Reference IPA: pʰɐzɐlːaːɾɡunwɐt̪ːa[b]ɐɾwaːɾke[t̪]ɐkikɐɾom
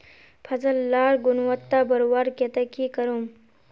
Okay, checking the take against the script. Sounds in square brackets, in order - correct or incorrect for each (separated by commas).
correct, correct